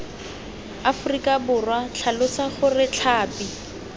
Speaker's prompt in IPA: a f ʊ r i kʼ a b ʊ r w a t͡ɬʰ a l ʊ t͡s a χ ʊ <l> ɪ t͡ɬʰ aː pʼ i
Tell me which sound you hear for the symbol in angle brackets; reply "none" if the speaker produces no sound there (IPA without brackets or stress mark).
r